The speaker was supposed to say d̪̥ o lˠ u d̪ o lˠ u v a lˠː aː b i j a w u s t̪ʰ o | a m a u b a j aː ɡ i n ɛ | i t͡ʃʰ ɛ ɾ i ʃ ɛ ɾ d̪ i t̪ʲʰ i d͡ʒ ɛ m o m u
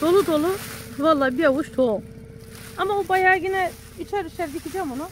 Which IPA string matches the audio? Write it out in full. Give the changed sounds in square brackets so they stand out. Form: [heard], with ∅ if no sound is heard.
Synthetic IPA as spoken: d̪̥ o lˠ u d̪ o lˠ u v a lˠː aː b i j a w u [ʃ] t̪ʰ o | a m a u b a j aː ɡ i n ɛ | i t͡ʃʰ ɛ ɾ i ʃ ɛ ɾ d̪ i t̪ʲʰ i d͡ʒ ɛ m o [n] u